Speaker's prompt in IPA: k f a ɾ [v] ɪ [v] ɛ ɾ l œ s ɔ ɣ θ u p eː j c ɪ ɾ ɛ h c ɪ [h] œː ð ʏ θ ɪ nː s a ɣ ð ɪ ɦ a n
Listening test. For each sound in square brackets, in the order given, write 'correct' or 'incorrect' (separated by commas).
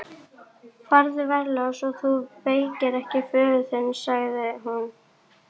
incorrect, correct, incorrect